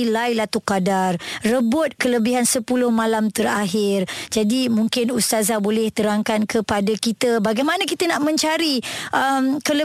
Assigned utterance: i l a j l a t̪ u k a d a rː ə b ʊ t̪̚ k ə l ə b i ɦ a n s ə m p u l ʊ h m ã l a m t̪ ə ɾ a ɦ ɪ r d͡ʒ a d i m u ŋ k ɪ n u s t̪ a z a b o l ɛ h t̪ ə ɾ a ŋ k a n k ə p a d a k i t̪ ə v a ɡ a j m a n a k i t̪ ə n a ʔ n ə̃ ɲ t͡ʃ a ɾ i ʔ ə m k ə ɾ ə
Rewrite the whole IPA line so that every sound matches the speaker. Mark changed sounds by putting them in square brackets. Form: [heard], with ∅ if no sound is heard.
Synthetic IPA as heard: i l a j l a t̪ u k a d a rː ə b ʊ t̪̚ k ə l ə b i ɦ a n s ə [∅] p u l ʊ h m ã l a m t̪ ə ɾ a ɦ ɪ r d͡ʒ a d i m u ŋ k ɪ n u s t̪ a z a b o l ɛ h t̪ ə ɾ a ŋ k a n k ə p a d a k i t̪ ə [b] a ɡ a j m a n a k i t̪ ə n a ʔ [m] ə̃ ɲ t͡ʃ a ɾ i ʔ ə m k ə [l] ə